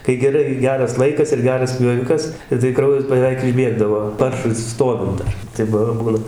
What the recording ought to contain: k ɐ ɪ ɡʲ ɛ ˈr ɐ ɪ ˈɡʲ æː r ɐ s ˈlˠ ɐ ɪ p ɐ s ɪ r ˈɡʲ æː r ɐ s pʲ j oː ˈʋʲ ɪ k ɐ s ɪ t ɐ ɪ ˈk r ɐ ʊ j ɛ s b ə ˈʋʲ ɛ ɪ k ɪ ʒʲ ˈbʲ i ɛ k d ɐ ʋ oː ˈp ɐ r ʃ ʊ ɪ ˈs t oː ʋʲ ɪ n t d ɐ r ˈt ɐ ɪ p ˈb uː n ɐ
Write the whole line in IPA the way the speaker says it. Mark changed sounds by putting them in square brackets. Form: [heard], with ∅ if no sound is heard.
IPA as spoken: k ɐ ɪ ɡʲ ɛ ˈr ɐ ɪ ˈɡʲ æː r ɐ s ˈlˠ ɐ ɪ [k] ɐ s ɪ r ˈɡʲ æː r ɐ s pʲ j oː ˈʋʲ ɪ k ɐ s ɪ t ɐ ɪ ˈk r ɐ ʊ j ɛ s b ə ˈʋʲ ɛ ɪ k ɪ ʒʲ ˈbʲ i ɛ [ɡ] d ɐ ʋ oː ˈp ɐ r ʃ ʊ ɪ ˈs t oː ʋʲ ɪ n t d ɐ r ˈt ɐ ɪ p ˈb uː n ɐ